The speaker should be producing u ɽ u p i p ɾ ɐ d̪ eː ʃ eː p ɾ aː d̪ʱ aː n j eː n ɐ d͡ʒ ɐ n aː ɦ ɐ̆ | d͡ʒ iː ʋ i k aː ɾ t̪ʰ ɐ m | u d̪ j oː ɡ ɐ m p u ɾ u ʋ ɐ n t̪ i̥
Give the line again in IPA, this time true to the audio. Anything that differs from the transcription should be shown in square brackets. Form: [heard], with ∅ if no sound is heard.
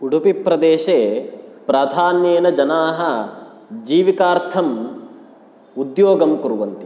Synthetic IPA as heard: u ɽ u p i p ɾ ɐ d̪ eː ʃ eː p ɾ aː d̪ʱ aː n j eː n ɐ d͡ʒ ɐ n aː ɦ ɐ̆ | d͡ʒ iː ʋ i k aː ɾ t̪ʰ ɐ m | u d̪ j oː ɡ ɐ m [k] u ɾ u ʋ ɐ n t̪ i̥